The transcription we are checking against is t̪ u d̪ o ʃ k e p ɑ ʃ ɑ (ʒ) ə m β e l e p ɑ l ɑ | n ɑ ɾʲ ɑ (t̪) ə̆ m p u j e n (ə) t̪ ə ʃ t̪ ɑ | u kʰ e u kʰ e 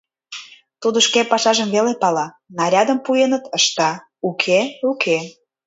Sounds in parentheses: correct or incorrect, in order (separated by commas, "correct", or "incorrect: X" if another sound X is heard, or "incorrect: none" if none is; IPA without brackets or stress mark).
correct, incorrect: d̪, correct